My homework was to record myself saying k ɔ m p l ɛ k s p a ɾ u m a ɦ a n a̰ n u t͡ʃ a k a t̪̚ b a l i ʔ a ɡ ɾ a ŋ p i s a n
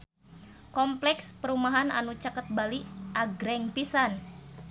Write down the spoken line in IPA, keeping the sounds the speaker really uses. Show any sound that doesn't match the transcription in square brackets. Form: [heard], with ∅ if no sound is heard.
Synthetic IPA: k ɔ m p l ɛ k s p [ə] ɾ u m a ɦ a n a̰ n u t͡ʃ a k [ə] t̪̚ b a l i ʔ a ɡ ɾ [ɛ] ŋ p i s a n